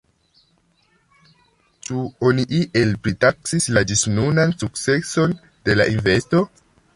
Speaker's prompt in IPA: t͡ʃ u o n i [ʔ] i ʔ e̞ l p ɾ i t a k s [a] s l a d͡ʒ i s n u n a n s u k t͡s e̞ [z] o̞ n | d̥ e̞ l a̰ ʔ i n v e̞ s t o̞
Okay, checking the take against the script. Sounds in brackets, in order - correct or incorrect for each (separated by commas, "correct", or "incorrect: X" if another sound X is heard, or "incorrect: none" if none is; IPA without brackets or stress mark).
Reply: correct, incorrect: i, incorrect: s